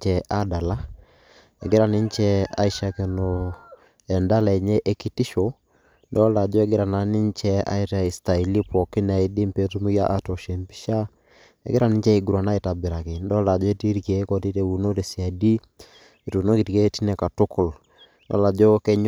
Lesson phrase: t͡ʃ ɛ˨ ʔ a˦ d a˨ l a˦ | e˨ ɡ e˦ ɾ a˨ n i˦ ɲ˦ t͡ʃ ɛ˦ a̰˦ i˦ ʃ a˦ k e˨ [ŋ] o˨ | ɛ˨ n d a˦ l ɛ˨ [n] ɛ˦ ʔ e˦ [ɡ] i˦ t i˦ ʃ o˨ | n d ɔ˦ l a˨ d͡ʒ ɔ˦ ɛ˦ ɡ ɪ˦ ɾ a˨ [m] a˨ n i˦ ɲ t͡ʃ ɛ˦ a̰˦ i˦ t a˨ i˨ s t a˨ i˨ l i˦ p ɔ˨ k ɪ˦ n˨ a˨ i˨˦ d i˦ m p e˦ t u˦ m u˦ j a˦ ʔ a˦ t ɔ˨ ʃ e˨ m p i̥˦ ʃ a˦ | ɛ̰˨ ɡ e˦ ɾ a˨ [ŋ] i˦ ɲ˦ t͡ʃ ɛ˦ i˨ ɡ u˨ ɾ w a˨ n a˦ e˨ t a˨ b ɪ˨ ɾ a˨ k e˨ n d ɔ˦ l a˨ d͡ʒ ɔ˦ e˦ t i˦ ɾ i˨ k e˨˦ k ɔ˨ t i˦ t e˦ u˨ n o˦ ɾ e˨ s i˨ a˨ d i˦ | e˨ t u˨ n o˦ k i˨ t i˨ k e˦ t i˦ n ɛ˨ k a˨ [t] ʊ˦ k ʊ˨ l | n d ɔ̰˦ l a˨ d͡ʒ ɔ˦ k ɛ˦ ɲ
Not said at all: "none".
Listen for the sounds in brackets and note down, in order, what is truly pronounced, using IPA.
n, ɲ, k, n, n, t

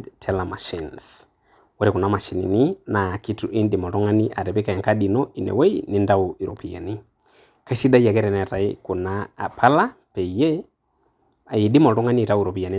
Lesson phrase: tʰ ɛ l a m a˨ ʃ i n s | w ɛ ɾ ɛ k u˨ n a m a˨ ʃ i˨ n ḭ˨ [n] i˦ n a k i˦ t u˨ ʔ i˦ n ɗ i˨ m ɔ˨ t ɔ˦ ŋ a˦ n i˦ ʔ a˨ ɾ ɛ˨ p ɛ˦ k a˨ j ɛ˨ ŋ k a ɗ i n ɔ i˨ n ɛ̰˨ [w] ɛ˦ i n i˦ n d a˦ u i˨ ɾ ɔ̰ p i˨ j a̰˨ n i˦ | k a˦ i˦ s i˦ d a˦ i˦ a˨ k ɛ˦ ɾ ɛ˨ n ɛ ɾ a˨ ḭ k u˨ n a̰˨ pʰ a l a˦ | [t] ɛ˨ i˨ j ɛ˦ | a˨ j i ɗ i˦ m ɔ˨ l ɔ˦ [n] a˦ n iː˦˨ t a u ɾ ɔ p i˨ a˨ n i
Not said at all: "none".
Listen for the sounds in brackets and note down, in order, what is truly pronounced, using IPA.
n, w, p, ŋ

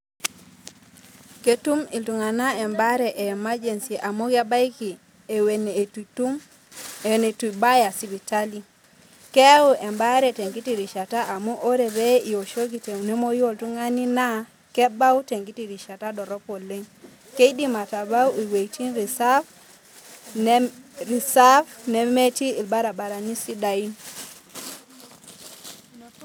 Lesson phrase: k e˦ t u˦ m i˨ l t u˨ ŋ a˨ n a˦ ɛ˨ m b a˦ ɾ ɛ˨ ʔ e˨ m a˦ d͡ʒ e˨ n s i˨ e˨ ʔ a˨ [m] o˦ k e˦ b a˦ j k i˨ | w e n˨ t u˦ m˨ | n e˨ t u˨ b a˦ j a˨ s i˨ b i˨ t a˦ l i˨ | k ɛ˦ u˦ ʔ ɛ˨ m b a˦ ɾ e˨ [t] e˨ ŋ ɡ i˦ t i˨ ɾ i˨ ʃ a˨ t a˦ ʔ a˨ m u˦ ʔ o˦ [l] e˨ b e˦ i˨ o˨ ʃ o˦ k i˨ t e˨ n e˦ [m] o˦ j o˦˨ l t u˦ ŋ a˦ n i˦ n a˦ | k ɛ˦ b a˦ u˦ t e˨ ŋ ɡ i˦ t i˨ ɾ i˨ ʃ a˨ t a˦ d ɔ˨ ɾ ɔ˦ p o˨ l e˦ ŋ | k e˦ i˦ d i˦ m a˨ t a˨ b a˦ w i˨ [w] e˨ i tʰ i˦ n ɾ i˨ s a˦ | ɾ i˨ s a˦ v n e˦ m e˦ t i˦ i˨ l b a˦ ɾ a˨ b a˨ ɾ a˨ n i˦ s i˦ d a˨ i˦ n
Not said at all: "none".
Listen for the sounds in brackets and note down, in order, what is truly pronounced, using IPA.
m, t, ɾ, m, w

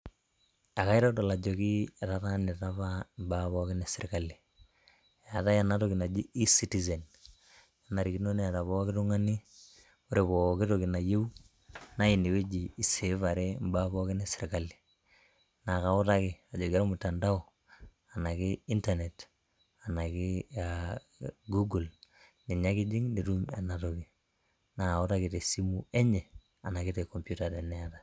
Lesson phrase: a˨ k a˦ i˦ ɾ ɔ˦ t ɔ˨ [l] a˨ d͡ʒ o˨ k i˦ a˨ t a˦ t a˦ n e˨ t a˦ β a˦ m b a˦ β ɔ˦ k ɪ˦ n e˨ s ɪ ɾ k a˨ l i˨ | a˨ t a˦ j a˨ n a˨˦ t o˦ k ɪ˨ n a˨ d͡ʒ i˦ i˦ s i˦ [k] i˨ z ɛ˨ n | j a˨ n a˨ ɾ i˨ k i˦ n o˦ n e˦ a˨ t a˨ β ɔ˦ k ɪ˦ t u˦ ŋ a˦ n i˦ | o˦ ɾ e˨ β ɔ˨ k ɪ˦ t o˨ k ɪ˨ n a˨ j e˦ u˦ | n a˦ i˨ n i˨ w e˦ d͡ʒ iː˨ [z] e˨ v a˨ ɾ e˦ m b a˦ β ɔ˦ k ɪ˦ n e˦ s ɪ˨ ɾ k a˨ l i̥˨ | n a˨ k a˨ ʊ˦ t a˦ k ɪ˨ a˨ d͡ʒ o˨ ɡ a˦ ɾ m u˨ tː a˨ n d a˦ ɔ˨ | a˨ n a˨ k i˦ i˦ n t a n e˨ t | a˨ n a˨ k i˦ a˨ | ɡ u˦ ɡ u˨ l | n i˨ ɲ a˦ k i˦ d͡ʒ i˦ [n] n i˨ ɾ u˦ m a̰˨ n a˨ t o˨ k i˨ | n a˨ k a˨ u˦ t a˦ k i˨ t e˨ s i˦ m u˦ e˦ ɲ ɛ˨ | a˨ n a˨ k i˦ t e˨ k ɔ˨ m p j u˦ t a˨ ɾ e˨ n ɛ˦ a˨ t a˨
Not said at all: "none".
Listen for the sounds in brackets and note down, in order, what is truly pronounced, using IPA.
l, t, s, ŋ

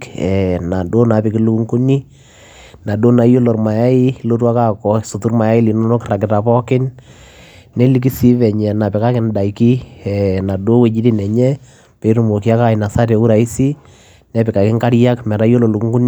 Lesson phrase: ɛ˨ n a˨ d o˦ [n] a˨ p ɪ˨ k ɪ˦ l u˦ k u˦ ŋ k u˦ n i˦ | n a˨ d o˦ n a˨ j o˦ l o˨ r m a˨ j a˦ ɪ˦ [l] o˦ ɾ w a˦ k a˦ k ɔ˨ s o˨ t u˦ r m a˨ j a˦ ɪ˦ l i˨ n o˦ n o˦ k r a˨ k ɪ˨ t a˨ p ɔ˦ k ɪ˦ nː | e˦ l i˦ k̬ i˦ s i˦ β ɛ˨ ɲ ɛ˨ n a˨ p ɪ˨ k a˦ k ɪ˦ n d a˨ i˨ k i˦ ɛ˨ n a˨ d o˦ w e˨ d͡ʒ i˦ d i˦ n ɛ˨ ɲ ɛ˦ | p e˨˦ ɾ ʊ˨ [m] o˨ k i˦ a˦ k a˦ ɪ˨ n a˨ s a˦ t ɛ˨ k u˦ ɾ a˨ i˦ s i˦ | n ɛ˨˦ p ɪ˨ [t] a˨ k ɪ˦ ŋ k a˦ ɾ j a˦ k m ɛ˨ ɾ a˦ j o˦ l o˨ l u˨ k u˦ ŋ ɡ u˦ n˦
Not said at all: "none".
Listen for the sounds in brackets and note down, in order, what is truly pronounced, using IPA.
n, l, m, k

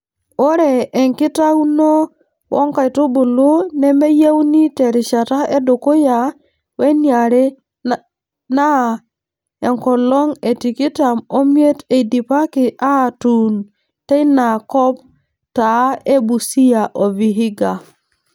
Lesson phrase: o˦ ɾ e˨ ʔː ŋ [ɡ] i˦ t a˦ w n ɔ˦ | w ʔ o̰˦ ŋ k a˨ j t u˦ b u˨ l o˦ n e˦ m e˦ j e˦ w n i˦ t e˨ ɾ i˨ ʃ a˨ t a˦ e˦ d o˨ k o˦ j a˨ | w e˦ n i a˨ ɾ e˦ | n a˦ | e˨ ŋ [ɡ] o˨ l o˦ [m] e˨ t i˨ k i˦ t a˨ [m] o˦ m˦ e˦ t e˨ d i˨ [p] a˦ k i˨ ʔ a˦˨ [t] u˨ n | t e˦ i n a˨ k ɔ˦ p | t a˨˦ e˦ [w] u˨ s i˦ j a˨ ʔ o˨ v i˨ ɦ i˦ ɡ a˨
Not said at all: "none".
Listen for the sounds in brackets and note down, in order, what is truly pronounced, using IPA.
k, k, ŋ, m, p, t, b

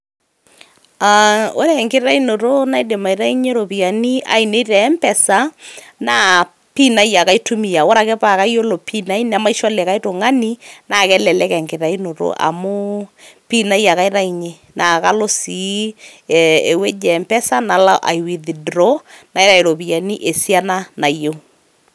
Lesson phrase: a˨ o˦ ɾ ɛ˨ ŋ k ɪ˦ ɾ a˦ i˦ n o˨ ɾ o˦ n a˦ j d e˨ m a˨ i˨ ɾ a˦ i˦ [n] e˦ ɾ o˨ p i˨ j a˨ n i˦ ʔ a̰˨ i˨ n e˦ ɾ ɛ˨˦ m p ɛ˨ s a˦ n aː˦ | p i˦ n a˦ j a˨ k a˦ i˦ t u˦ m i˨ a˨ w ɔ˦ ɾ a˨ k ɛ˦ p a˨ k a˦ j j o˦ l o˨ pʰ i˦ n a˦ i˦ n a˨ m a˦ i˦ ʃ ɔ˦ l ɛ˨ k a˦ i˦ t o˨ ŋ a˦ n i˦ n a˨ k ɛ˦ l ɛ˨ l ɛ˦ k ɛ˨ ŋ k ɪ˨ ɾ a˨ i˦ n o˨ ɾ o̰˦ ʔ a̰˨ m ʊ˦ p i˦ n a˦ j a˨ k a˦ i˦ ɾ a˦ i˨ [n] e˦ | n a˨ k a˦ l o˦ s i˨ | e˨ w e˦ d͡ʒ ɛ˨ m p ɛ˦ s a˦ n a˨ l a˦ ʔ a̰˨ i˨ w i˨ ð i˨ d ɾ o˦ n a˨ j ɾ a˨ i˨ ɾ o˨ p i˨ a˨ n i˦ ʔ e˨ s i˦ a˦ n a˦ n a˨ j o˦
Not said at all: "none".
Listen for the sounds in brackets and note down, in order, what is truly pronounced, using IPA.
ɲ, ɲ

